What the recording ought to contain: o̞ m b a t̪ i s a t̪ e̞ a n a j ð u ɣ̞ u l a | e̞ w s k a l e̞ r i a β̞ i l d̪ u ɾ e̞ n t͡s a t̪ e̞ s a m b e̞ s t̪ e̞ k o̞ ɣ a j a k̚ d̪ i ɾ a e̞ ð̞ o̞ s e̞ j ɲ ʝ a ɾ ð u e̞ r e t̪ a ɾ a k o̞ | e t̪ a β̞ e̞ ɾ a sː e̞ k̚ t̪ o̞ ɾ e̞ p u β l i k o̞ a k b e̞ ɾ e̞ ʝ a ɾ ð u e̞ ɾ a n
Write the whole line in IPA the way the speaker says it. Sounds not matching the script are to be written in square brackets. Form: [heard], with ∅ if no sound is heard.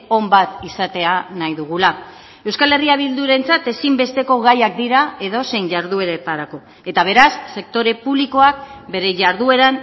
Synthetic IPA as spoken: o̞ m b a t̪ i s a t̪ e̞ a n a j ð u ɣ̞ u l a | e̞ w s k a l e̞ r i a β̞ i l d̪ u ɾ e̞ n t͡s a t̪ e̞ s [i] m b e̞ s t̪ e̞ k o̞ ɣ a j a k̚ d̪ i ɾ a e̞ ð̞ o̞ s e̞ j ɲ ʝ a ɾ ð u e̞ [ɾ] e t̪ a ɾ a k o̞ | e t̪ a β̞ e̞ ɾ a sː e̞ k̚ t̪ o̞ ɾ e̞ p u β l i k o̞ a k b e̞ ɾ e̞ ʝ a ɾ ð u e̞ ɾ a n